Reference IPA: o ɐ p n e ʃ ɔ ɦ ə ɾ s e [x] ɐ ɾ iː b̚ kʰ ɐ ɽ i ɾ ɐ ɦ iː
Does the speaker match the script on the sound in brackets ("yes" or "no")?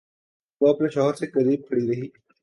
no